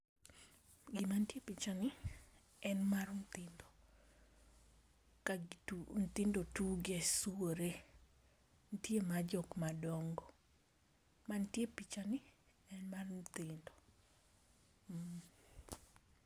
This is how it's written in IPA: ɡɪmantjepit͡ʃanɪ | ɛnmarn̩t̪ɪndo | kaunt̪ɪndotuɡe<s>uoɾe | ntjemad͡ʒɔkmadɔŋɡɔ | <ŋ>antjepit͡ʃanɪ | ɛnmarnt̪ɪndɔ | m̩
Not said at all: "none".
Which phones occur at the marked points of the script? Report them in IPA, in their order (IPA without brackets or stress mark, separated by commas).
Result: s, m